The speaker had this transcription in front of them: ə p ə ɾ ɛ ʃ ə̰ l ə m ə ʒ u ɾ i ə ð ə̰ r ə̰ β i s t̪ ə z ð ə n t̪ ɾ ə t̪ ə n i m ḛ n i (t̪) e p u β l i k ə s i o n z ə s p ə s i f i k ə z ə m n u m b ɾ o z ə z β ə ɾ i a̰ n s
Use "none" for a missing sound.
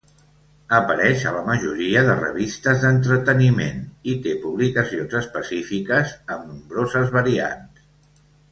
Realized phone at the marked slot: t̪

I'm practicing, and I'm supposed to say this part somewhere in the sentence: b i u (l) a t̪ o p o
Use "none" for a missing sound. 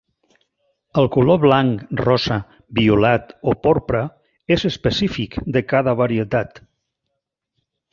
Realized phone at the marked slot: l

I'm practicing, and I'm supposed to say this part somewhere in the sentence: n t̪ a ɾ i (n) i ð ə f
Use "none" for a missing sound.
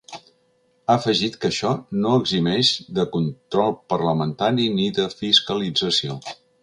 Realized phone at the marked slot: n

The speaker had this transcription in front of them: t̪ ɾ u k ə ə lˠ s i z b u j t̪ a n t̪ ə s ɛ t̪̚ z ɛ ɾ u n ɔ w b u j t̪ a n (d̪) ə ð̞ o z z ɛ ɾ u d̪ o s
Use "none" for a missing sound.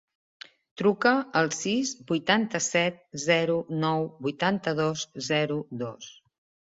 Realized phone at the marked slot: t̪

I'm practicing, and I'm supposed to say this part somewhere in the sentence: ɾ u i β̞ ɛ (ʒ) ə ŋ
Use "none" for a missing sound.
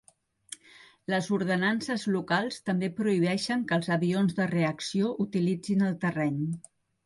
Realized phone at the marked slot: ʃ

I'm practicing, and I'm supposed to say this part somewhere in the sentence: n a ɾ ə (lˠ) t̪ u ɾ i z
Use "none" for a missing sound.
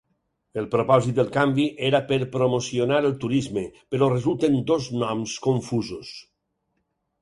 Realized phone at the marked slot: lˠ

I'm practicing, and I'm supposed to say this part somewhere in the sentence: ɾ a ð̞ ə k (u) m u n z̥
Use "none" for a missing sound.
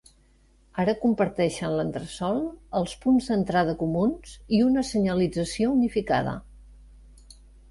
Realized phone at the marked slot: u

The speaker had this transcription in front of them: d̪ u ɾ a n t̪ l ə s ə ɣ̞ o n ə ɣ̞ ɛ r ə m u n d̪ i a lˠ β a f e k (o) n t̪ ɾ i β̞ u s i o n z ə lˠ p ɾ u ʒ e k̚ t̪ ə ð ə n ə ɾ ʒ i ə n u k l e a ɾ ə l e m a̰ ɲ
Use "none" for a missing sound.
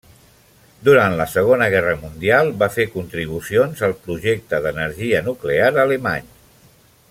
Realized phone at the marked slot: u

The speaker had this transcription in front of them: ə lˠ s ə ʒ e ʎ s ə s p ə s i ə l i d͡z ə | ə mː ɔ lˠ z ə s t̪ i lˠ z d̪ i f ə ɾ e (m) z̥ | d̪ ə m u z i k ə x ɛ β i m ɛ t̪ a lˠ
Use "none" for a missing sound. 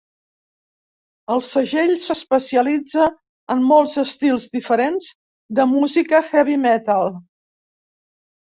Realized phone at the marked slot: n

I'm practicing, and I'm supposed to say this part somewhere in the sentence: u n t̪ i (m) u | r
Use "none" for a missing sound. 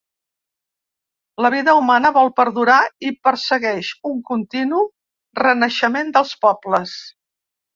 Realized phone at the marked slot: n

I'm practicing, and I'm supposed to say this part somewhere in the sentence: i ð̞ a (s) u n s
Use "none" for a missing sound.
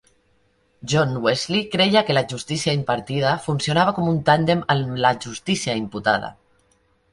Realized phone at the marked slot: f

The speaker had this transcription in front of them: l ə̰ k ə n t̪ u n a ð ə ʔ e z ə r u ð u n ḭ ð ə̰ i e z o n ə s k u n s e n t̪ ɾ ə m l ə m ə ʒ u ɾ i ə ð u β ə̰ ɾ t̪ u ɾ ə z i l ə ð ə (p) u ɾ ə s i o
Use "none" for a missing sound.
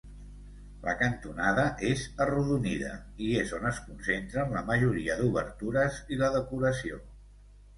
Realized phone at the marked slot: k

